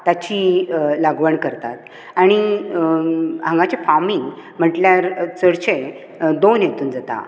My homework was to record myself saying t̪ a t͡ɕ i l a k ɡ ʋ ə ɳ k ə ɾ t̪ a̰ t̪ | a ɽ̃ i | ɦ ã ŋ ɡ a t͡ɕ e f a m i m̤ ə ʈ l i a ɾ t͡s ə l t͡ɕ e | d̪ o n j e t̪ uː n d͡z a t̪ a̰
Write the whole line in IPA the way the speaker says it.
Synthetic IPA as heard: t̪ a t͡ɕ i l a ɡ ʋ ə ɳ k ə ɾ t̪ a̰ t̪ | a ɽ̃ i | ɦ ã ŋ ɡ a t͡ɕ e f a m i m̤ ə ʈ l j a ɾ t͡s ə ɽ t͡ɕ e | d̪ o n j e t̪ uː n d͡z a t̪ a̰

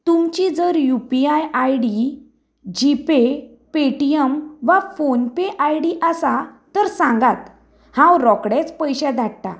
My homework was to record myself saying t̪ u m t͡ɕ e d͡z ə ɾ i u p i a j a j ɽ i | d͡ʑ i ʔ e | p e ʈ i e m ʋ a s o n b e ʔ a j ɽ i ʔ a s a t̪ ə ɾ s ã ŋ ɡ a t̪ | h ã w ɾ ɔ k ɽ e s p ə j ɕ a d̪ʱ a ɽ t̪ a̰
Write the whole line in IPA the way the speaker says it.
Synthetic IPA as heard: t̪ u m t͡ɕ i d͡z ə ɾ j u p i a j a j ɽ i | d͡ʑ i p e | p e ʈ i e m ʋ a f o n p e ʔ a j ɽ i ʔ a s a t̪ ə ɾ s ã ŋ ɡ a t̪ | h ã w ɾ ɔ k ɽ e t͡s p ə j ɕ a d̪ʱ a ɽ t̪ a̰

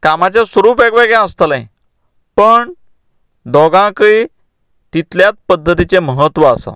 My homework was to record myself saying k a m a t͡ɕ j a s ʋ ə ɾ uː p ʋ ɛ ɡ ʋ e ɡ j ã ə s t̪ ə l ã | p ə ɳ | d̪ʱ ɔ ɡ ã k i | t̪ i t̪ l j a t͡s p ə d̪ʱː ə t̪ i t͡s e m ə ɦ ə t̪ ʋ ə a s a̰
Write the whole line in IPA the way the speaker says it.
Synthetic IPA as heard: k a m a t͡ɕ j a s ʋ ə ɾ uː p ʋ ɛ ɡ ʋ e ɡ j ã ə s t̪ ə l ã | p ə ɳ | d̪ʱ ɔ ɡ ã k i | t̪ i t̪ l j a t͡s p ə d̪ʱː ə t̪ i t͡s e m ə ɦ ə t̪ ʋ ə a s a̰

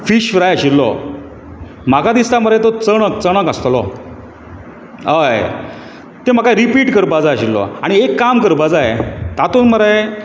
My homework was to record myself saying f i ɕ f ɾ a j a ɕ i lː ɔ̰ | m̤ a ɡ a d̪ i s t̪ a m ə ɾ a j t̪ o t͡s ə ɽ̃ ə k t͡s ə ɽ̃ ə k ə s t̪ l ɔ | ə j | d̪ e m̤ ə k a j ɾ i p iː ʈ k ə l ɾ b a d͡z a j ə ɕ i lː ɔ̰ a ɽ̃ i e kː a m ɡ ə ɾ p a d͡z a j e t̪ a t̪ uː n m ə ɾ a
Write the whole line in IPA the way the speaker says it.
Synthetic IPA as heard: f i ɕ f ɾ a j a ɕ i lː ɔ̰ | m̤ a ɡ a d̪ i s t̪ a m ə ɾ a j t̪ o t͡s ə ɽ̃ ə k t͡s ə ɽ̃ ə k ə s t̪ l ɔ | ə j | t̪ e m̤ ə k a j ɾ i p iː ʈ k ə ɾ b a d͡z a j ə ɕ i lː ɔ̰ a ɽ̃ i e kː a m k ə ɾ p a d͡z a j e t̪ a t̪ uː n m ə ɾ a

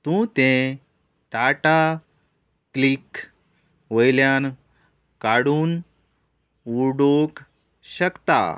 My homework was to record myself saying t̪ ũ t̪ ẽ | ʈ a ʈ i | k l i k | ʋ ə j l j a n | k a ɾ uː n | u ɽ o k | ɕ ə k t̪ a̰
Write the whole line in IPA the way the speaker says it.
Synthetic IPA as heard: t̪ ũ t̪ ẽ | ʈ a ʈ a | k l i k | ʋ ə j l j a n | k a ɽ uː n | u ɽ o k | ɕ ə k t̪ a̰

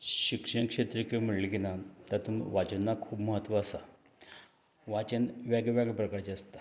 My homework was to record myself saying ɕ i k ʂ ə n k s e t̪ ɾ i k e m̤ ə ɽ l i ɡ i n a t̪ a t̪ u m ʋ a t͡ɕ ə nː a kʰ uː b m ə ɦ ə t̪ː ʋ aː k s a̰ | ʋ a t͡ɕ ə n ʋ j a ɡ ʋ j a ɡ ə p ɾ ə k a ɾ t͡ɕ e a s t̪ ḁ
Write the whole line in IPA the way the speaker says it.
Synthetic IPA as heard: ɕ i k ʂ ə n k ʂ e t̪ ɾ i k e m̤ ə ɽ l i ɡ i n a t̪ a t̪ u m ʋ a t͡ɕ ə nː a kʰ uː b m ə ɦ ə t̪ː ʋ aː s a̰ | ʋ a t͡ɕ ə n ʋ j a ɡ ʋ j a ɡ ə p ɾ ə k a ɾ t͡ɕ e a s t̪ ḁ

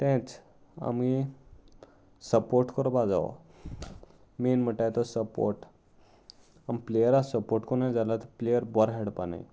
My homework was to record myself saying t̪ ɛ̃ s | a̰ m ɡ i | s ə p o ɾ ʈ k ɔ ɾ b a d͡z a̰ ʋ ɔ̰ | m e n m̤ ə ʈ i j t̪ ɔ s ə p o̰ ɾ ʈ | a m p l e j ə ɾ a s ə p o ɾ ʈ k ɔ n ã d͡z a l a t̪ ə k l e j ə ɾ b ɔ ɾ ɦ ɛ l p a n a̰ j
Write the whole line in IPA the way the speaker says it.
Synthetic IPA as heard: t̪ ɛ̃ t͡s | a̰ m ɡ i | s ə p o ɾ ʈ k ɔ ɾ b a d͡z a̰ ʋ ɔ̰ | m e n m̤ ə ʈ a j t̪ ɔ s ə p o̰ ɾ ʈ | a m p l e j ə ɾ a s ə p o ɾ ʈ k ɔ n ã d͡z a l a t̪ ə p l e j ə ɾ b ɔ ɾ ɦ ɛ ɽ p a n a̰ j

